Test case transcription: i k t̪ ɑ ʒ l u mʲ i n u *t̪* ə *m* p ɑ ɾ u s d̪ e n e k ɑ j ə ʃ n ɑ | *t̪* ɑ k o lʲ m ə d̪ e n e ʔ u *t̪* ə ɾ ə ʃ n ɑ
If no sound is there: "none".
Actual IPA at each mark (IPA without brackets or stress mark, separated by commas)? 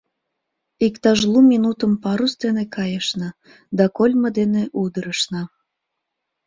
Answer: t̪, m, d̪, d̪